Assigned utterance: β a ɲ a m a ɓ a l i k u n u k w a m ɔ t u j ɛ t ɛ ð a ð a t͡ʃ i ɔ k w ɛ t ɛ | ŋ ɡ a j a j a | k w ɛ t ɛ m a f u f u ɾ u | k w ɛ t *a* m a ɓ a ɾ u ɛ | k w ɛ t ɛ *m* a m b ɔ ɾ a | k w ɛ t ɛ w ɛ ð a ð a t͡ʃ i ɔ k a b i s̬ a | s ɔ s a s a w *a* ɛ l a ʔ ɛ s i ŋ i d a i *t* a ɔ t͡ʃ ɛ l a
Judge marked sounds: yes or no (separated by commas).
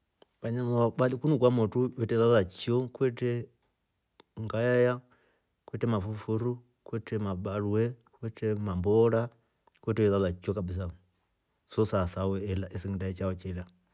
no, yes, no, no